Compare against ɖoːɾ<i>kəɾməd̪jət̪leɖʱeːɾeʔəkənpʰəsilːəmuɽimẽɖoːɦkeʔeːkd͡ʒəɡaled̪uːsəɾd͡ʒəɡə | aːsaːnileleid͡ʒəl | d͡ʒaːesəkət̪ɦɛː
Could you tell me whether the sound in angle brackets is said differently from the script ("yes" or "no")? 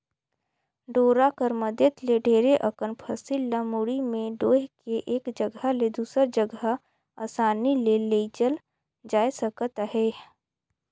yes